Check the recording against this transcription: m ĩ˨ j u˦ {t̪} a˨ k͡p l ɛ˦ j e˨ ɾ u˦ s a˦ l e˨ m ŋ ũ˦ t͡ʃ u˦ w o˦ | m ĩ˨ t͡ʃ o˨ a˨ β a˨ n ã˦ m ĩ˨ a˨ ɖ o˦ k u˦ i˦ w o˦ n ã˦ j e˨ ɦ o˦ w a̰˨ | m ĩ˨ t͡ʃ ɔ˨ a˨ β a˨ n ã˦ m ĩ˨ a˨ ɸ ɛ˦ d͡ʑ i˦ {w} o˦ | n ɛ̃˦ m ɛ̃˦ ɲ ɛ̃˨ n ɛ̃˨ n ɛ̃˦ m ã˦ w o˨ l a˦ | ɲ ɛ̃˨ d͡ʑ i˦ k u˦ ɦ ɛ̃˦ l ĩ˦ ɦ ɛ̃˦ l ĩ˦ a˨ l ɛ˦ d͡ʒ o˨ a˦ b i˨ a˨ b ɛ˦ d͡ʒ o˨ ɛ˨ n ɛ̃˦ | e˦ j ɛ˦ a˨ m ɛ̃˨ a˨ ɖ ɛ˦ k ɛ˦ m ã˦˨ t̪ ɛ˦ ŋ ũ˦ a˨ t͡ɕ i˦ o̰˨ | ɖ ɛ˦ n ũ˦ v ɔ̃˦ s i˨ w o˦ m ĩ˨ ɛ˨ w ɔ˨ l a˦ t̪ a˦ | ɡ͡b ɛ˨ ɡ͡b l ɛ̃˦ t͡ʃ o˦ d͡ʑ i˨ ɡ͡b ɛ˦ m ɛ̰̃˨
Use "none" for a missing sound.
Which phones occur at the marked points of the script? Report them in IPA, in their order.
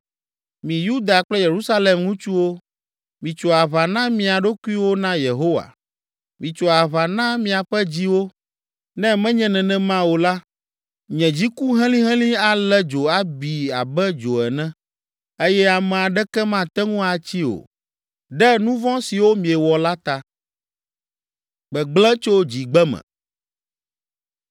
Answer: d̪, w

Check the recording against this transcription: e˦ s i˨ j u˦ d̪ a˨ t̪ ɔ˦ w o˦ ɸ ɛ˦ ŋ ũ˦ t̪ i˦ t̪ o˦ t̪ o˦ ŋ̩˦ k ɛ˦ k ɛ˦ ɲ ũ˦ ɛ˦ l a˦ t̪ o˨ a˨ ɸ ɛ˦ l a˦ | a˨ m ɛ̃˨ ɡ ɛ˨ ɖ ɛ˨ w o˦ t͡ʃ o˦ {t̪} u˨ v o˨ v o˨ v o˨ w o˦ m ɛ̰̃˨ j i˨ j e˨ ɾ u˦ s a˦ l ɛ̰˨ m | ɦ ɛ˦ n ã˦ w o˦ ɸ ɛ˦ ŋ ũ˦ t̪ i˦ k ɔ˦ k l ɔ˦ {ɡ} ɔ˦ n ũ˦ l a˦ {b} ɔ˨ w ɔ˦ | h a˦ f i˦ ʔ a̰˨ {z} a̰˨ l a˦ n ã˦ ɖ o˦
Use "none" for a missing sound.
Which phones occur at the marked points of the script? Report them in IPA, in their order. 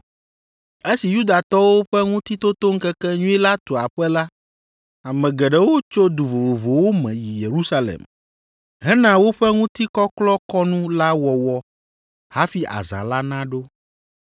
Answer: d̪, k, w, z

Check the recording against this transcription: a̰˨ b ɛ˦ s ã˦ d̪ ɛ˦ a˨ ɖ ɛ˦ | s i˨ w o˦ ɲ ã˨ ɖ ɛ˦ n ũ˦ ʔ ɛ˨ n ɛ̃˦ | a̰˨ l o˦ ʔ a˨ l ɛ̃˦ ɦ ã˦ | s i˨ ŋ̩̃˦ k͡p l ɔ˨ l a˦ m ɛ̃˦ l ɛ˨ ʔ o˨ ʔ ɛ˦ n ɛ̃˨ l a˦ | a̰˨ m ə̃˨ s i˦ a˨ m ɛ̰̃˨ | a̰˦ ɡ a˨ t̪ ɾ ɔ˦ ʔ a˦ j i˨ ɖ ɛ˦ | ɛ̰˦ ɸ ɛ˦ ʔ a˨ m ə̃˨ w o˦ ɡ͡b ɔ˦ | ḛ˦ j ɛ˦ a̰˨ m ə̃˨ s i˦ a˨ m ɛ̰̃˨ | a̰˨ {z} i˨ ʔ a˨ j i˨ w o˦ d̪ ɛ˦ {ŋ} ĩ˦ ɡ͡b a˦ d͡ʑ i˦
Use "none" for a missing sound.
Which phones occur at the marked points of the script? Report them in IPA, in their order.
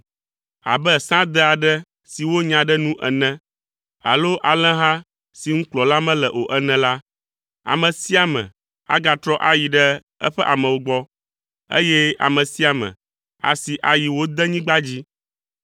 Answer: s, ɲ

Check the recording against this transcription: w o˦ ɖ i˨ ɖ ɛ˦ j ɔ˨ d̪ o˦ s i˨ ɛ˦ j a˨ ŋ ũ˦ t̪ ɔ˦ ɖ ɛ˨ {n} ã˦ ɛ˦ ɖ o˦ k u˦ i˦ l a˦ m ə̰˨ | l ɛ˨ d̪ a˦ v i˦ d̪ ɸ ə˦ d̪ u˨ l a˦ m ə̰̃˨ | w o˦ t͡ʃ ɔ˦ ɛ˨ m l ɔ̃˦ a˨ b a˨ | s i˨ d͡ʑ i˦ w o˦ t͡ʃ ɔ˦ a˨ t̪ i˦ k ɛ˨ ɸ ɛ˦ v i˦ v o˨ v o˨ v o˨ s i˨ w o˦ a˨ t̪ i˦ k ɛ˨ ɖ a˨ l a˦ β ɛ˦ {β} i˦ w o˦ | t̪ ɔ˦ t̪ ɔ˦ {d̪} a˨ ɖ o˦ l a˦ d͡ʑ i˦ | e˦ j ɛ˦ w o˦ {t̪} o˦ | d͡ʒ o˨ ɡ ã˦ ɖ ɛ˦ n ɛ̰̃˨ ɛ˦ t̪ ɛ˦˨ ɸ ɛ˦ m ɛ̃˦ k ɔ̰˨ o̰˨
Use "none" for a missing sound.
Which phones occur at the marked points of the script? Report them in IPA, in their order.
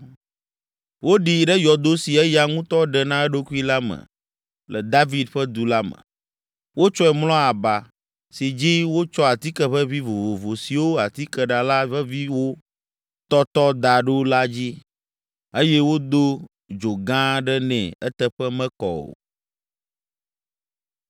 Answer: n, v, d̪, d̪

